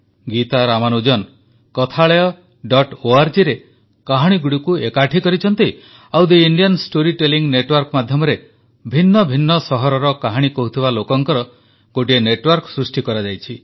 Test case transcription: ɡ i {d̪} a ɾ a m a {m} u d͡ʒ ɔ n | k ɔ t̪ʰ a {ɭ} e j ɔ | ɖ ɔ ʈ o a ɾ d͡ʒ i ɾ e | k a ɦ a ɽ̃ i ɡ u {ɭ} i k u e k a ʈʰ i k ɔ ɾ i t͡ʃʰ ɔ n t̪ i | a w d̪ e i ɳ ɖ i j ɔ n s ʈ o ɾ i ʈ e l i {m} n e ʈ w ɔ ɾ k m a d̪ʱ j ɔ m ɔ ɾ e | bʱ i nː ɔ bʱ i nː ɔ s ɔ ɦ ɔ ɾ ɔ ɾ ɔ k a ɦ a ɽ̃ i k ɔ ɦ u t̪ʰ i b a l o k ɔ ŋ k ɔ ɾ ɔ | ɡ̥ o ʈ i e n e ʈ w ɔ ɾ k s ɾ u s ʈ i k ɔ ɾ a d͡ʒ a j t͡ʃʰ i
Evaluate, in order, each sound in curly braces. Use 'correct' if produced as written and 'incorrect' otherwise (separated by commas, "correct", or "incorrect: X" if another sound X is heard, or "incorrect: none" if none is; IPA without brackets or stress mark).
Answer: incorrect: t̪, incorrect: n, correct, incorrect: ɽ, incorrect: ŋ